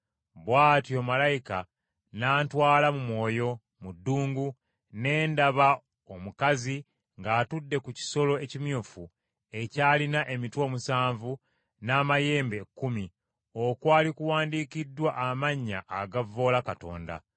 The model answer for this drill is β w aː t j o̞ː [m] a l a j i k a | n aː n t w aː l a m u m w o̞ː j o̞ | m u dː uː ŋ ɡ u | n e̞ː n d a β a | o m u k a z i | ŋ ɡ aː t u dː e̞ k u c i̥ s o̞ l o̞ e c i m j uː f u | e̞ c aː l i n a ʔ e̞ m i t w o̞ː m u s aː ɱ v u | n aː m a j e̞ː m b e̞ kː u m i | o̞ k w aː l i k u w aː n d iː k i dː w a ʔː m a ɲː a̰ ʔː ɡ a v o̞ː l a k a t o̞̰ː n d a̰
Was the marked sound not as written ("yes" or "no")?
no